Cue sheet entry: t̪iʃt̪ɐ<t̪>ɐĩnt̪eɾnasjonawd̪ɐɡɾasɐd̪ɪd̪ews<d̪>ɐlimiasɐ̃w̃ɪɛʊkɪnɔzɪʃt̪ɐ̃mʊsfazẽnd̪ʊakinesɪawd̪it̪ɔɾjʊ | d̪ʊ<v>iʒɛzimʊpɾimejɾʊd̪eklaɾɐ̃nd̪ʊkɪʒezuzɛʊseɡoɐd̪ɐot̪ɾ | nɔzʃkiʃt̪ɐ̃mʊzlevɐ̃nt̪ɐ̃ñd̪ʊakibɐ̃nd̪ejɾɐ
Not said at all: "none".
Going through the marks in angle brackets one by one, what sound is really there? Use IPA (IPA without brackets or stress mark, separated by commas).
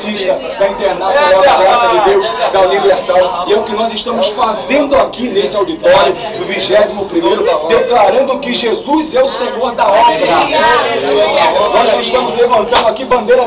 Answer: d̪, d̪, v